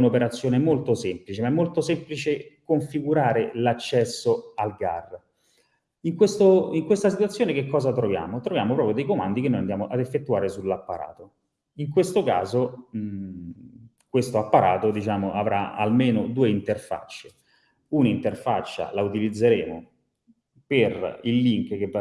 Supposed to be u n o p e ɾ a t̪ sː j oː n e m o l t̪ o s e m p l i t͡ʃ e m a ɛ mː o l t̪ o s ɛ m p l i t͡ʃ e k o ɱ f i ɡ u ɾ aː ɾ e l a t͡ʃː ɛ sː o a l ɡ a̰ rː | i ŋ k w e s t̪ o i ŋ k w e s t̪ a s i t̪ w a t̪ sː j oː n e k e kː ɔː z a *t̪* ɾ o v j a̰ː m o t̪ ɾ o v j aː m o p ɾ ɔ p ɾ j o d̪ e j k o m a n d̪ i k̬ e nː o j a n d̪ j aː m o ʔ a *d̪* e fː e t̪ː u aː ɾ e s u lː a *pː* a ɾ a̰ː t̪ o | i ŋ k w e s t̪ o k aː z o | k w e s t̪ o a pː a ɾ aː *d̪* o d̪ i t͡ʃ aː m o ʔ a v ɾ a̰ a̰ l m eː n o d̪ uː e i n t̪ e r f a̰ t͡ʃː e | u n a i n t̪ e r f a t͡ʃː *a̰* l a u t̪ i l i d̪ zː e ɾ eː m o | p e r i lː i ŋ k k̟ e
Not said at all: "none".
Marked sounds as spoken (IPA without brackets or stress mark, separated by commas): t̪, d̪, pː, t̪, a̰